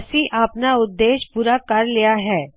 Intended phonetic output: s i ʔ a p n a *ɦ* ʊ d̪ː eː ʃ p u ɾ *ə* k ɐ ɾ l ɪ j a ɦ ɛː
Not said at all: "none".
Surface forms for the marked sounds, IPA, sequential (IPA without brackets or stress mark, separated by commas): none, a